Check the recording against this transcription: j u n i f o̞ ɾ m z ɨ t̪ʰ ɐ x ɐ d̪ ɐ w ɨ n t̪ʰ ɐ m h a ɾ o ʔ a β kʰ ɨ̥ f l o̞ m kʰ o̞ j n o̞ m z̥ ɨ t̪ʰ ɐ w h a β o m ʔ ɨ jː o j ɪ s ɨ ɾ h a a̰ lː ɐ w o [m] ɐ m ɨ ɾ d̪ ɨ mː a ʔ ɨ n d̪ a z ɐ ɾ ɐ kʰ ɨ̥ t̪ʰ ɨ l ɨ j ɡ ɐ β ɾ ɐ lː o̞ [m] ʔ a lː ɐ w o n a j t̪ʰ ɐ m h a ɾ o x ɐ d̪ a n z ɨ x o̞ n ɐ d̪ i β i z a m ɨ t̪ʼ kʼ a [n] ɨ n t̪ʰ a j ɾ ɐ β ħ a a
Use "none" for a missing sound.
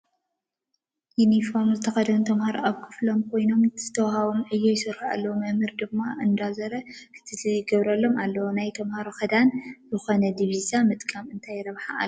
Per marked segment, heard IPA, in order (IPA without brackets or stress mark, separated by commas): m, m, m